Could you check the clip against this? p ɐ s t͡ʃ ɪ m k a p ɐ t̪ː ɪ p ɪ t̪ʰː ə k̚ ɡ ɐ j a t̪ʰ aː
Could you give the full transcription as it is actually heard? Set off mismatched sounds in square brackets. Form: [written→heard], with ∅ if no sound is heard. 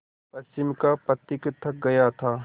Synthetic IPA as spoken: p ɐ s t͡ʃ ɪ m k a p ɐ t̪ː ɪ [p→k] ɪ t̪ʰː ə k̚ ɡ ɐ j a t̪ʰ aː